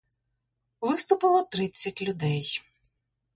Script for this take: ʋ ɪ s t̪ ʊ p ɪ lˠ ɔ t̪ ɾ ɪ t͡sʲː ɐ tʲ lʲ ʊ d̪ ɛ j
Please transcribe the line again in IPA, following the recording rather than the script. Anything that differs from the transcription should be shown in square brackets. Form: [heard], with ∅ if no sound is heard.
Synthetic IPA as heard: ʋ ɪ s t̪ ʊ p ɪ lˠ ɔ t̪ ɾ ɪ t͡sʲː ɐ tʲ lʲ ʊ d̪ ɛ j